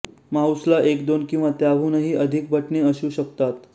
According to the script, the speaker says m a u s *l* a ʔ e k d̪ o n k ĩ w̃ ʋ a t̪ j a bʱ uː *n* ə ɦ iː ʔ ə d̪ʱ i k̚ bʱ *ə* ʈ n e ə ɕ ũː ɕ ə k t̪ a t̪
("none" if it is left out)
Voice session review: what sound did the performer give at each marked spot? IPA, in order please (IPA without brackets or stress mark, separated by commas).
l, n, ə